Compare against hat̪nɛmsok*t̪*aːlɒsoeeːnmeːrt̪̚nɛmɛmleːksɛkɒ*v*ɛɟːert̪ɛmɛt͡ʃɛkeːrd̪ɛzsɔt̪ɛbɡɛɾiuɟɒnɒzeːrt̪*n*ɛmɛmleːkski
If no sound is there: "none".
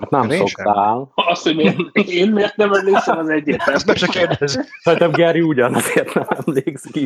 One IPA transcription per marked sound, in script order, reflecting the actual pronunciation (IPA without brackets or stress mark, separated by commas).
t̪, z, n